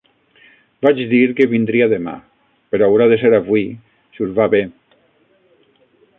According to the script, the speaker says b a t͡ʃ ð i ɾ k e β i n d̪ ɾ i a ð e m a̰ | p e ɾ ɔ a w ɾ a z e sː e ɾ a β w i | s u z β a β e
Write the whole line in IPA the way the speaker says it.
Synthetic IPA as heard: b a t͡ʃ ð i ɾ k e β i n d̪ ɾ i a ð e m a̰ | p e ɾ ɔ a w ɾ a ð e s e ɾ a β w i | s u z β a β e